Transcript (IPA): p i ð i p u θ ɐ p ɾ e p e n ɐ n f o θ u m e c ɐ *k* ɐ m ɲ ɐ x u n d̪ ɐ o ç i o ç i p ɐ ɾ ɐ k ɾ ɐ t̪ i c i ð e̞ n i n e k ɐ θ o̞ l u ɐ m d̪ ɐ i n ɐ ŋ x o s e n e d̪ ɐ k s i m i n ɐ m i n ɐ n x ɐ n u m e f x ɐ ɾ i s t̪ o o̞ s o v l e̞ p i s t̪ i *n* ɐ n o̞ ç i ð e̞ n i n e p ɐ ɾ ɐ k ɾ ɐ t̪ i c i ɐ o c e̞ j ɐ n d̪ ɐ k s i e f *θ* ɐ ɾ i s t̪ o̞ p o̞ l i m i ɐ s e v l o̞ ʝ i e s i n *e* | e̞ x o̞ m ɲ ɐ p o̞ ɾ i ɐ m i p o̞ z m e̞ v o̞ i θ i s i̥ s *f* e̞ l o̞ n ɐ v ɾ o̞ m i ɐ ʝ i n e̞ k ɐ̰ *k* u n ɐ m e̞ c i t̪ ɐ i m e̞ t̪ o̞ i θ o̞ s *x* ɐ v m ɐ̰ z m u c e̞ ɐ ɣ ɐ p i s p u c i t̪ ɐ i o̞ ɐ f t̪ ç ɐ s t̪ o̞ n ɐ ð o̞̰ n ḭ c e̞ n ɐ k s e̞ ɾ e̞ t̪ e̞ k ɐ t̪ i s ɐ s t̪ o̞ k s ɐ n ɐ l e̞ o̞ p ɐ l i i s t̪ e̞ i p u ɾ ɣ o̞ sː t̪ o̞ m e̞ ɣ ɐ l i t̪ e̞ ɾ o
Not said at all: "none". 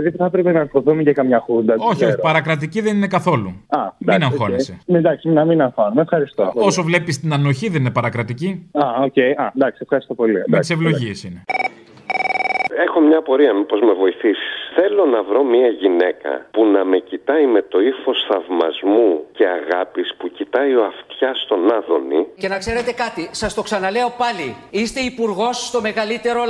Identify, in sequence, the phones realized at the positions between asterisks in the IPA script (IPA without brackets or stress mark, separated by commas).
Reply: k, n, x, e, θ, p, θ